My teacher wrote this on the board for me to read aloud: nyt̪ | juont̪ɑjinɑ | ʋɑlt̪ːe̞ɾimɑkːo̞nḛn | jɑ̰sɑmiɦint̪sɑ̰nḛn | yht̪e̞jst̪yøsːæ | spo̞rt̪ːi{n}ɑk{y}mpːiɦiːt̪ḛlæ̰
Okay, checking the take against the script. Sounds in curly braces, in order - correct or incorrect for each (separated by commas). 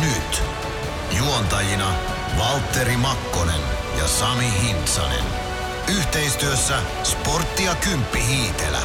incorrect, correct